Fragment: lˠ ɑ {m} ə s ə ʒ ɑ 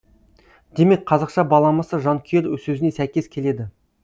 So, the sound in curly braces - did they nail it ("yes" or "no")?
yes